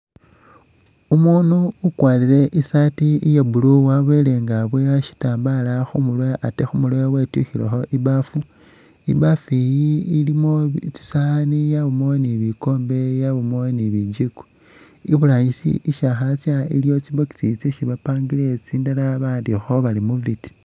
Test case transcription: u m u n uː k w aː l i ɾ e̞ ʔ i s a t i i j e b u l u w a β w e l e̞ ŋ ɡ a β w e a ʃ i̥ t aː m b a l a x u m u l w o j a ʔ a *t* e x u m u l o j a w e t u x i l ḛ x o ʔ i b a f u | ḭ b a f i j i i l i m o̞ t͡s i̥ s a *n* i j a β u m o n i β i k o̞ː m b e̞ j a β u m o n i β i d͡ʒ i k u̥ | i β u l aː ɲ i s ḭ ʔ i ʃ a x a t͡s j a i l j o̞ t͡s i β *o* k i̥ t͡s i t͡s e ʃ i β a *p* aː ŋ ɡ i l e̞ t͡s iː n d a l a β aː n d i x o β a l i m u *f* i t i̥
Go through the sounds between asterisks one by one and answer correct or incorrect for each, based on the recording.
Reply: correct, correct, correct, correct, incorrect: v

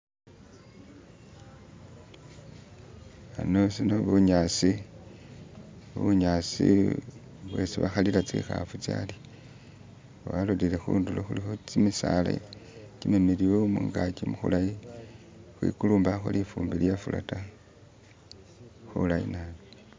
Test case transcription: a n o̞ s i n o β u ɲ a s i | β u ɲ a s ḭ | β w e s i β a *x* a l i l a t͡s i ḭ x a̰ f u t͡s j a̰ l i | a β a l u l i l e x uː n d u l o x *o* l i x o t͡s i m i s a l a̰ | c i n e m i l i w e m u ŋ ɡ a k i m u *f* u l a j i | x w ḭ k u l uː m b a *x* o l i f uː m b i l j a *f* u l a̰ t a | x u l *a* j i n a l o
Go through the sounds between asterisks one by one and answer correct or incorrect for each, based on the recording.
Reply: correct, incorrect: u, incorrect: x, correct, correct, correct

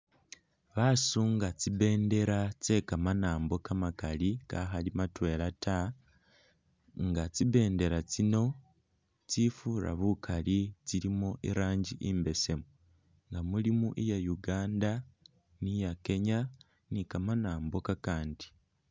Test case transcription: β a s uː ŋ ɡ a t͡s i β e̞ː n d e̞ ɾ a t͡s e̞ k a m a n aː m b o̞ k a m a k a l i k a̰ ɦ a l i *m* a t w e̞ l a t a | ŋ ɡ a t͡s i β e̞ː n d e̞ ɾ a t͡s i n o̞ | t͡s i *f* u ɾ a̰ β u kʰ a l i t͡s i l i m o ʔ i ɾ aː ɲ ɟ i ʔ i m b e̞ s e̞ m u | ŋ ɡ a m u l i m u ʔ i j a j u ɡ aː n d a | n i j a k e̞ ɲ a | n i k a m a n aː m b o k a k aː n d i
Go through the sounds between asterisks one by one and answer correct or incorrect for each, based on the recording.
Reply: correct, correct

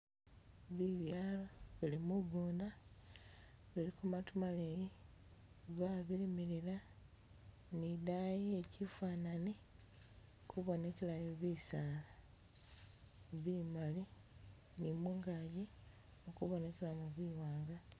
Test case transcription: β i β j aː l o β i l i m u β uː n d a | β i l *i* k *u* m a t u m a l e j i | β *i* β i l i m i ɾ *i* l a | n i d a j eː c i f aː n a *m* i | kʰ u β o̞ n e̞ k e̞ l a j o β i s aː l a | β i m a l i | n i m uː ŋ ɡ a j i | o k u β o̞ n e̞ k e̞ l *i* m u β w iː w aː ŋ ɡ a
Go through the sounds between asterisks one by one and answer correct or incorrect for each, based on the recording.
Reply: correct, correct, incorrect: a, correct, incorrect: n, incorrect: a

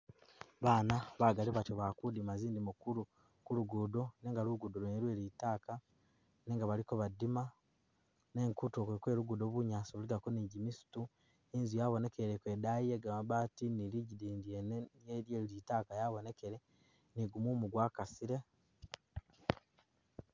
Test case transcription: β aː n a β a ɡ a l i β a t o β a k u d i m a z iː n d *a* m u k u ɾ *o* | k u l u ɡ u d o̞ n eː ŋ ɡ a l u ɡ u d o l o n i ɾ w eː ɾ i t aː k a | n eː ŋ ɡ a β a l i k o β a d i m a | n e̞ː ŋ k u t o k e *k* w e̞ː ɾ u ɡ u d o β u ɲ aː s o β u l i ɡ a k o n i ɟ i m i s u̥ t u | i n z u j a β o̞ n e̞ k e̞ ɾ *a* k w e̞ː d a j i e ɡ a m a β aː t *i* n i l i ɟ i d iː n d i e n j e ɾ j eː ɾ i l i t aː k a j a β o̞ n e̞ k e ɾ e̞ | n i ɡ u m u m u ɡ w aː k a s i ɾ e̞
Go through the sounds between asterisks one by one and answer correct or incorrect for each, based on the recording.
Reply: incorrect: i, incorrect: u, correct, incorrect: e, correct

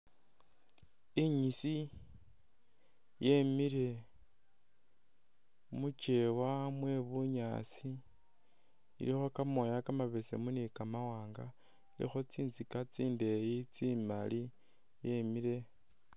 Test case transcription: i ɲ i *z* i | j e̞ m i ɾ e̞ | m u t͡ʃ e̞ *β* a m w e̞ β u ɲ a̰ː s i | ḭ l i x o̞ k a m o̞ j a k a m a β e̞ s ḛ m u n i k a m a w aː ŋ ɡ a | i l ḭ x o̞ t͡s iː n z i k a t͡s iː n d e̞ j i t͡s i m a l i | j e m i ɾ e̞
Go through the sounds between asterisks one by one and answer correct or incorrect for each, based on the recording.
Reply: incorrect: s, incorrect: w

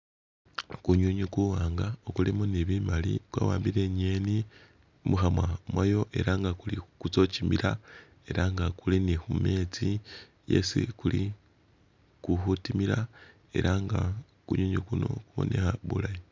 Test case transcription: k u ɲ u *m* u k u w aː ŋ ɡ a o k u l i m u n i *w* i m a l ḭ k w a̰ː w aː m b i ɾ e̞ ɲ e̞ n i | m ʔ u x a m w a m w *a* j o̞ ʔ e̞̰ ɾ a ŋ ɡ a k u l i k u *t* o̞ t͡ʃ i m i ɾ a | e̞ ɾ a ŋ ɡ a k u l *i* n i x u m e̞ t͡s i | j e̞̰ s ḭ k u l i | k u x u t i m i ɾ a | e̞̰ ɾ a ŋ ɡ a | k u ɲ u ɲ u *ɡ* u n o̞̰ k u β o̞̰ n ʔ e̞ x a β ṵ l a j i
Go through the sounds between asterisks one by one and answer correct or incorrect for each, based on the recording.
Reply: incorrect: ɲ, incorrect: β, correct, incorrect: t͡s, correct, incorrect: k

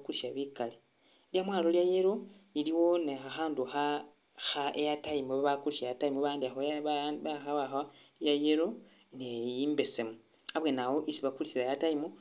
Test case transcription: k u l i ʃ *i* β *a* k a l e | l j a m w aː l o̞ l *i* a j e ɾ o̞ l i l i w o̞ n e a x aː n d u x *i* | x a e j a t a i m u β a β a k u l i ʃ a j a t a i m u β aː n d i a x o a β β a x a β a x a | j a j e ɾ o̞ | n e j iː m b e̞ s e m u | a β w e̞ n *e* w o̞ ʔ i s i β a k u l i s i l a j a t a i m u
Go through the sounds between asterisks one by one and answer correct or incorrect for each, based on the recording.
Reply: incorrect: a, incorrect: i, incorrect: j, incorrect: a, incorrect: a

